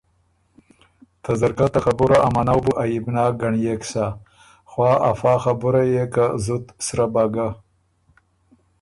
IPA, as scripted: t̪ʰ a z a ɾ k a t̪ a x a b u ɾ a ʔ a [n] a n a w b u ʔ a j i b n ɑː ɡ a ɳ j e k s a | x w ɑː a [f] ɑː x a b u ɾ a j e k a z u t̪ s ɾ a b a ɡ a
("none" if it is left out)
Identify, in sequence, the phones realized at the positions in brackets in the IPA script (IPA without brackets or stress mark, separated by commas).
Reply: m, f